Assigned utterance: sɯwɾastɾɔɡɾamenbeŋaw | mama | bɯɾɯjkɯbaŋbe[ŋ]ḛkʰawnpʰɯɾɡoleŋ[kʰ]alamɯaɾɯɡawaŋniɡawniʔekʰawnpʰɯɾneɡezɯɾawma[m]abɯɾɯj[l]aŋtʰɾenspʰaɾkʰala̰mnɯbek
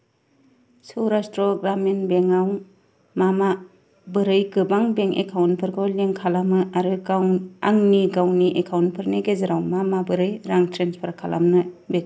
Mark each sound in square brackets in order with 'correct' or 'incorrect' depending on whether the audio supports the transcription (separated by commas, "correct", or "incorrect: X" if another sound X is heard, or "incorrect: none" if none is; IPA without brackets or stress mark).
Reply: correct, correct, correct, incorrect: ɾ